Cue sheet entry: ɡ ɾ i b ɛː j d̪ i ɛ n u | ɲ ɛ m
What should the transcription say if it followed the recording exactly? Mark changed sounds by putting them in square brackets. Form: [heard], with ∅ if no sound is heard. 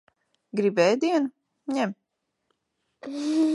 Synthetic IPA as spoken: ɡ ɾ i b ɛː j d̪ i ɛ n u | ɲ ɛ m